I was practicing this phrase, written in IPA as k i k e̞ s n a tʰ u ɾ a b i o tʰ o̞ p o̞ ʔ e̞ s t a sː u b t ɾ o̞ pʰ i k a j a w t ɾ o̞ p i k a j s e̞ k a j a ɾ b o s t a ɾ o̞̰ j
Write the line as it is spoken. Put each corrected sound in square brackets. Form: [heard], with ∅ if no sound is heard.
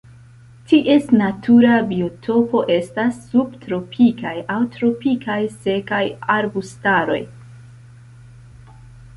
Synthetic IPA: [t] i [ʔ] e̞ s n a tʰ u ɾ a b i o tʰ o̞ p o̞ ʔ e̞ s t a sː u b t ɾ o̞ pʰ i k a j a w t ɾ o̞ p i k a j s e̞ k a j a ɾ b [u] s t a ɾ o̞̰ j